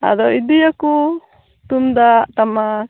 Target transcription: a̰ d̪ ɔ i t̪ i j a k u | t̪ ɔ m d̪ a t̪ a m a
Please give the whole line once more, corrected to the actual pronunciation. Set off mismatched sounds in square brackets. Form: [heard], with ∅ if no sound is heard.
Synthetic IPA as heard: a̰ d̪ ɔ i [d̪] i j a k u | t̪ [u] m d̪ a t̪ a m a